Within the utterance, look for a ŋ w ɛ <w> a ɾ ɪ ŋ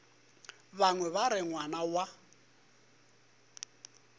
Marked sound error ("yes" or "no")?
yes